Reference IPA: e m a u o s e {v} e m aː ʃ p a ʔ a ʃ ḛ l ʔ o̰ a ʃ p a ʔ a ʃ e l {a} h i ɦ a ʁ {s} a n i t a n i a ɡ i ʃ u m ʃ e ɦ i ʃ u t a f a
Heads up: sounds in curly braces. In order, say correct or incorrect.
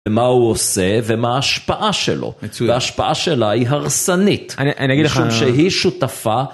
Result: correct, correct, correct

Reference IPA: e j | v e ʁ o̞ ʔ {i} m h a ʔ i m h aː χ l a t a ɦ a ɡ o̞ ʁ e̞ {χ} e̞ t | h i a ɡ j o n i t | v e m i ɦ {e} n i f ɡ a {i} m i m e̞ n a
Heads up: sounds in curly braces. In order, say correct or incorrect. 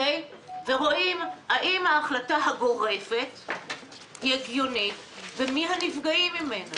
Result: correct, incorrect, incorrect, correct

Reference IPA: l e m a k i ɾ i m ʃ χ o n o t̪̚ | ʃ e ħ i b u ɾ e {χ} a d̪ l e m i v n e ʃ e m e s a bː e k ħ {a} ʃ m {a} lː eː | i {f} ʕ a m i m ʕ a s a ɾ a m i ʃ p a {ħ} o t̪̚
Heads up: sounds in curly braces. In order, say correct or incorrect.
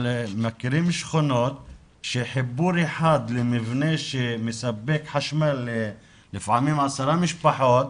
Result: incorrect, correct, correct, correct, correct

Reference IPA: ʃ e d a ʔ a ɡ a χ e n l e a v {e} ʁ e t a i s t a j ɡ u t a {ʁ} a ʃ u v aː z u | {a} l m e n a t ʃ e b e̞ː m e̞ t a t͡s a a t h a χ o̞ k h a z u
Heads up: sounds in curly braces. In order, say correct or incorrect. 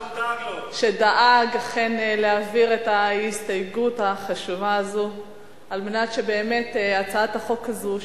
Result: incorrect, incorrect, correct

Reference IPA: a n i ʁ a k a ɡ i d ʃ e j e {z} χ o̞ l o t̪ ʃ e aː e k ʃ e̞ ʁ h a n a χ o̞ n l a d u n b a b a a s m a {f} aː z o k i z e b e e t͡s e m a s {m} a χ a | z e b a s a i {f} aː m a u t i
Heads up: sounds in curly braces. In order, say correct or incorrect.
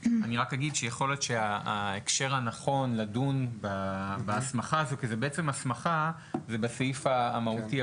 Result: incorrect, incorrect, correct, correct

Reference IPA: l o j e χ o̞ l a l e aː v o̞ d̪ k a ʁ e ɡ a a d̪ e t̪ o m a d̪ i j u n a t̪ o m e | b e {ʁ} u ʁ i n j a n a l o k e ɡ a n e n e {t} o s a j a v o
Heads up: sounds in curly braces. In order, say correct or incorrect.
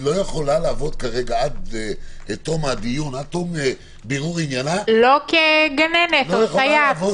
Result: correct, correct

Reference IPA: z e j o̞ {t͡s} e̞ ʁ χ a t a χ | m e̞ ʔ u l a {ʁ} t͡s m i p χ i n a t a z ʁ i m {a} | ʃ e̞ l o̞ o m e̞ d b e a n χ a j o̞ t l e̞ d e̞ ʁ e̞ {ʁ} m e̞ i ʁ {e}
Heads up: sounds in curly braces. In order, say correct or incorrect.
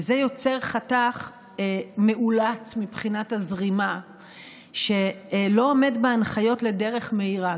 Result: correct, incorrect, correct, incorrect, incorrect

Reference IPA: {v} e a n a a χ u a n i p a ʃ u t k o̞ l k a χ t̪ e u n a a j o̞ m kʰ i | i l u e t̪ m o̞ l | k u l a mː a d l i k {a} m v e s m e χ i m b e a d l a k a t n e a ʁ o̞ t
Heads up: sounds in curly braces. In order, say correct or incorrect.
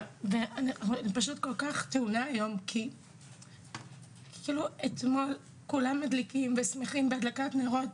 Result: correct, incorrect

